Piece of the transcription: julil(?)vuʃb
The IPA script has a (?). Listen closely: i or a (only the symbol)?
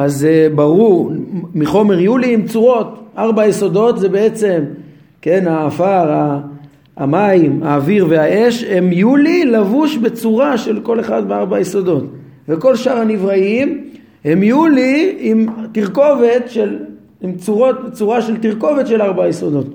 a